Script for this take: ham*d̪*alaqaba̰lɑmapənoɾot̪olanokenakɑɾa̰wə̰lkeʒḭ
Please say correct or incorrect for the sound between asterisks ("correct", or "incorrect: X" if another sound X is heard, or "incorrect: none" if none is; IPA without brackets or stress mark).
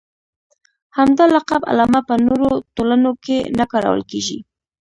correct